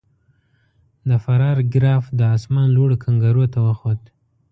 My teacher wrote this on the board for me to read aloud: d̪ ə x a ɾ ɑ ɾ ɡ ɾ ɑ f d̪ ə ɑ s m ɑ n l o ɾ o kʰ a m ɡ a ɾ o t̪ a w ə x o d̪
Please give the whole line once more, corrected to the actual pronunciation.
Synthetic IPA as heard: d̪ ə f a ɾ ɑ ɾ ɡ ɾ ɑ f d̪ ə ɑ s m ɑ n l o ɽ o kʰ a ŋ ɡ a ɾ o t̪ a w ə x o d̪